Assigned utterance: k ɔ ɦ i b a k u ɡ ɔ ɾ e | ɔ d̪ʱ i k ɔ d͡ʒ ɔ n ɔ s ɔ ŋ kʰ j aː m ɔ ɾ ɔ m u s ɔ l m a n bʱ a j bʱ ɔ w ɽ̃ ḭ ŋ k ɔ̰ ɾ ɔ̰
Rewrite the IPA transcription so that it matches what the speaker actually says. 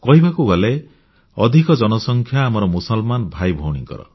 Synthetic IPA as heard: k ɔ ɦ i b a k u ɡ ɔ l e | ɔ d̪ʱ i k ɔ d͡ʒ ɔ n ɔ s ɔ ŋ kʰ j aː m ɔ ɾ ɔ m u s ɔ l m a n bʱ a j bʱ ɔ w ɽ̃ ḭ ŋ k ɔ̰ ɾ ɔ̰